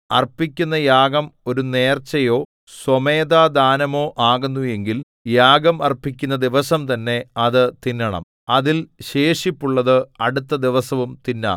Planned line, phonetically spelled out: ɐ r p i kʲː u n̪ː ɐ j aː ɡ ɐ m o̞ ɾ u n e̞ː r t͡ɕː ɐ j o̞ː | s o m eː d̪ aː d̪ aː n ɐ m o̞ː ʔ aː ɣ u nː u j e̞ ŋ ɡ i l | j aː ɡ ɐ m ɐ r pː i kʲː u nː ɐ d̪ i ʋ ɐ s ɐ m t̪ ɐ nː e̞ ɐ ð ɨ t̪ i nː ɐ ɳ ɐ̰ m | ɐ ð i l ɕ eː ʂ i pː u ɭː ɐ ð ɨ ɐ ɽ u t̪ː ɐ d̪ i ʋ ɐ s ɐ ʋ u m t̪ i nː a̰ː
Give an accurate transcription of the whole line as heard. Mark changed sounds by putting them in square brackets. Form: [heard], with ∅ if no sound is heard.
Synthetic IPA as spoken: ɐ r p i kʲː u n̪ː ɐ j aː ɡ ɐ m o̞ ɾ u n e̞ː r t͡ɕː ɐ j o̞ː | s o m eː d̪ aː d̪ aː n ɐ m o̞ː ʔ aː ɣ u nː u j e̞ ŋ ɡ i l | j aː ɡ ɐ m ɐ r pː i kʲː u nː ɐ d̪ i ʋ ɐ s ɐ m t̪ ɐ nː e̞ ɐ ð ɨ t̪ i nː ɐ ɳ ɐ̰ m | ɐ ð i l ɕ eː ʂ i pː u ɭː ɐ ð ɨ ɐ ɽ u t̪ː ɐ d̪ i ʋ ɐ s ɐ ʋ u m t̪ i nː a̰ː

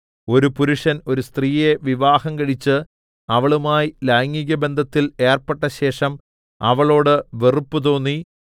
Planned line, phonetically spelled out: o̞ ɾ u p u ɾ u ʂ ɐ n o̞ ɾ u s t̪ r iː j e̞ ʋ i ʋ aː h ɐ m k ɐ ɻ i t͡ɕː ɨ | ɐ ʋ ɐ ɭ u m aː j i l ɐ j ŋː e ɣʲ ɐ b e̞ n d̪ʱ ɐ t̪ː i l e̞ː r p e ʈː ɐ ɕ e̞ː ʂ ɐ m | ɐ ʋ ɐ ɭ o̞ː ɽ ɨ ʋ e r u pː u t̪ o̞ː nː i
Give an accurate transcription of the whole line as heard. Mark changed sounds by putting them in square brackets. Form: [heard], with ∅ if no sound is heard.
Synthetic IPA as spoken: o̞ ɾ u p u ɾ u ʂ ɐ n o̞ ɾ u s t̪ r iː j e̞ ʋ i ʋ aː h ɐ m k ɐ ɻ i t͡ɕː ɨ | ɐ ʋ ɐ ɭ u m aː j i l ɐ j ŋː [i] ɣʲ ɐ b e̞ n d̪ʱ ɐ t̪ː i l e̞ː r p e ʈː ɐ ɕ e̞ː ʂ ɐ m | ɐ ʋ ɐ ɭ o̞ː ɽ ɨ ʋ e r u pː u t̪ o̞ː nː i

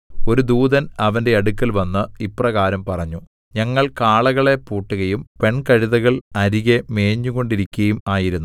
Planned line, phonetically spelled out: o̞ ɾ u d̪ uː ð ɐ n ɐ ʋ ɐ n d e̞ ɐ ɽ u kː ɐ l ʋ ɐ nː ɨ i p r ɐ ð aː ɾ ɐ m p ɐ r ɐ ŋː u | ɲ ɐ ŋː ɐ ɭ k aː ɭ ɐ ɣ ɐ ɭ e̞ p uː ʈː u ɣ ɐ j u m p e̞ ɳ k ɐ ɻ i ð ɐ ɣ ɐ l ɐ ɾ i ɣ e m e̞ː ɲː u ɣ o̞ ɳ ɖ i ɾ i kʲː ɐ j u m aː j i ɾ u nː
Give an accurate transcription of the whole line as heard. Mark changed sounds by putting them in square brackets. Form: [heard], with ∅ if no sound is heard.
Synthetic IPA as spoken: o̞ ɾ u d̪ uː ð ɐ n ɐ ʋ ɐ n d e̞ ɐ ɽ u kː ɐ l ʋ ɐ nː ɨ i p r ɐ [ɣ] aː ɾ ɐ m p ɐ r ɐ [ɲː] u | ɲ ɐ ŋː ɐ ɭ k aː ɭ ɐ ɣ ɐ ɭ e̞ p uː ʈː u ɣ ɐ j u m p e̞ ɳ k ɐ ɻ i ð ɐ ɣ ɐ [ɭ] ɐ ɾ i ɣ e m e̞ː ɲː u ɣ o̞ ɳ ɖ i ɾ i kʲː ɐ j u m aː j i ɾ u nː

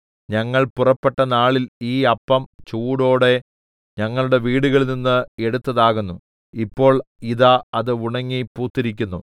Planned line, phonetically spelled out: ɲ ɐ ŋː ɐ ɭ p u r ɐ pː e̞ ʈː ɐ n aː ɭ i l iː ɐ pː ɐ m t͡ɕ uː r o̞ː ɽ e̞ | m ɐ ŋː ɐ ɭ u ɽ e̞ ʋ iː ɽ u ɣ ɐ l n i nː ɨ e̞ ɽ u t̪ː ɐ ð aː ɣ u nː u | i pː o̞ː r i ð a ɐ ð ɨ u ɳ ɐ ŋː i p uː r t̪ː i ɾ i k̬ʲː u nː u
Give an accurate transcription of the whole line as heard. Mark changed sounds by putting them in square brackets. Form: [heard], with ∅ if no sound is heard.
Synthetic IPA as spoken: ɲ ɐ ŋː ɐ ɭ p u r ɐ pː e̞ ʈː ɐ n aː ɭ i l iː ɐ pː ɐ m t͡ɕ uː [ɽ] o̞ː ɽ e̞ | [ɲ] ɐ ŋː ɐ ɭ u ɽ e̞ ʋ iː ɽ u ɣ ɐ [ɭ] n i nː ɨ e̞ ɽ u t̪ː ɐ ð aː ɣ u nː u | i pː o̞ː [ɭ] i ð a ɐ ð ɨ u ɳ ɐ ŋː i p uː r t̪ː i ɾ i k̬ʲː u nː u

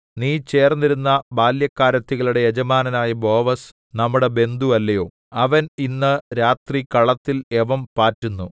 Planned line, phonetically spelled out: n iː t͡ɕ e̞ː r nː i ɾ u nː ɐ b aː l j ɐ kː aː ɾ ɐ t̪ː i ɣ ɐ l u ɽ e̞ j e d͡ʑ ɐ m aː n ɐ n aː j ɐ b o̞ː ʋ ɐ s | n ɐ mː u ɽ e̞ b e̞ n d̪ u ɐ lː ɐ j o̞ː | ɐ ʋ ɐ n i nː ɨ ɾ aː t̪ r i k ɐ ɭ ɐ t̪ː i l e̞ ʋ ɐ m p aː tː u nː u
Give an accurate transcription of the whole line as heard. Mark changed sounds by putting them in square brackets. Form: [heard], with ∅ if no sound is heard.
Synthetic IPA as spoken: n iː t͡ɕ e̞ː r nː i ɾ u nː ɐ b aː l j ɐ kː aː ɾ ɐ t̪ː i ɣ ɐ [ɭ] u ɽ e̞ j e d͡ʑ ɐ m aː n ɐ n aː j ɐ b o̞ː ʋ ɐ s | n ɐ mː u ɽ e̞ b e̞ n d̪ u ɐ lː ɐ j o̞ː | ɐ ʋ ɐ n i nː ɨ ɾ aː t̪ r i k ɐ ɭ ɐ t̪ː i l e̞ ʋ ɐ m p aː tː u nː u

